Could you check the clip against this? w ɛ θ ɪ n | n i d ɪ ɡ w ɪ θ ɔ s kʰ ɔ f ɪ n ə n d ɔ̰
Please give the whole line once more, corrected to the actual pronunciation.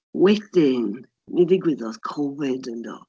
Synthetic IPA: w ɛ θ ɪ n | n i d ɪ ɡ w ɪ ð ɔ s kʰ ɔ v ɪ d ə n d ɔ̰